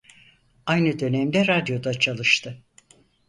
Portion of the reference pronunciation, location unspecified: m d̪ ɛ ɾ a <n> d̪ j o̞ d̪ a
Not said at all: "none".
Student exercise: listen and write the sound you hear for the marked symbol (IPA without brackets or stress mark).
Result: none